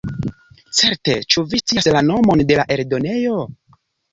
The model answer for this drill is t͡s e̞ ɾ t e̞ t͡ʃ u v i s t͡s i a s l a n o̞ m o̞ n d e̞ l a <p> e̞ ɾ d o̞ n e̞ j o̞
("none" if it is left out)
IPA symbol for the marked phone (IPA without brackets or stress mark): ʔ